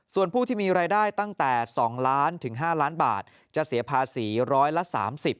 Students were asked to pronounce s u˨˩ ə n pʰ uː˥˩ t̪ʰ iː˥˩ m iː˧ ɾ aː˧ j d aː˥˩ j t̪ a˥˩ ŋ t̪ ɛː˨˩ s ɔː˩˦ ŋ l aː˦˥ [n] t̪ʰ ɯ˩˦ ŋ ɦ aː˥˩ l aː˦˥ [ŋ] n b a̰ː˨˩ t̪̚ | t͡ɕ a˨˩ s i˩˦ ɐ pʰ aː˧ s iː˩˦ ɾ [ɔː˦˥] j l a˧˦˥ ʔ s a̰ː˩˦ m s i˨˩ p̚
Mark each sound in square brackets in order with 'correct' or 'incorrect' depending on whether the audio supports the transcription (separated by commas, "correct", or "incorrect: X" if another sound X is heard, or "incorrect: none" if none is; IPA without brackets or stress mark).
correct, incorrect: none, correct